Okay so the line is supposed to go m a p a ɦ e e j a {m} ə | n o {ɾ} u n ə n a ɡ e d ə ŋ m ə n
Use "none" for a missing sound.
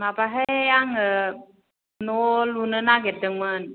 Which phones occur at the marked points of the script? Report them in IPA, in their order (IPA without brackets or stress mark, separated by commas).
ŋ, l